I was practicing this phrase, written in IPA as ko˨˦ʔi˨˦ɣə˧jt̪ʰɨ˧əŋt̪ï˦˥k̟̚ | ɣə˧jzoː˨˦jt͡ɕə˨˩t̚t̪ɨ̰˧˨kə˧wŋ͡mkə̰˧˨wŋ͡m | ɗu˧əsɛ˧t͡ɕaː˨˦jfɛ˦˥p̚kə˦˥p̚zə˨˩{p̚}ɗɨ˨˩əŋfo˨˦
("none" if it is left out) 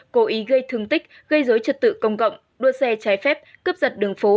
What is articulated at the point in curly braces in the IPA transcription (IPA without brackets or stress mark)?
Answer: t̚